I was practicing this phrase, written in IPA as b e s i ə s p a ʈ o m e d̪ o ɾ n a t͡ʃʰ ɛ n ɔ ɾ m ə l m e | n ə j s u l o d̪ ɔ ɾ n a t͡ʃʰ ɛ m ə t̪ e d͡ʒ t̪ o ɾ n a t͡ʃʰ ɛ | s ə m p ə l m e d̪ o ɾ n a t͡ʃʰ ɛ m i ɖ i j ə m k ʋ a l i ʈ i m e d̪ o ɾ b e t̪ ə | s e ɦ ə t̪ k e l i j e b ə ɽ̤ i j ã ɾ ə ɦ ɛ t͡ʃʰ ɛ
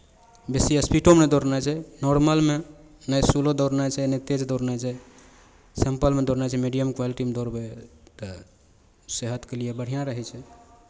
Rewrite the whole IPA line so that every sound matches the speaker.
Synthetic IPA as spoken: b e s i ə s p i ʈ o m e d̪ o ɾ n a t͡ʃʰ ɛ n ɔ ɾ m ə l m e | n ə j s u l o d̪ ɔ ɾ n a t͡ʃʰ ɛ n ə t̪ e d͡ʒ d̪ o ɾ n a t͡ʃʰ ɛ | s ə m p ə l m e d̪ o ɾ n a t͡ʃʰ ɛ m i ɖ i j ə m k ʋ a l i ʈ i m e d̪ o ɾ b e t̪ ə | s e ɦ ə t̪ k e l i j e b ə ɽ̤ i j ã ɾ ə ɦ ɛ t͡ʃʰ ɛ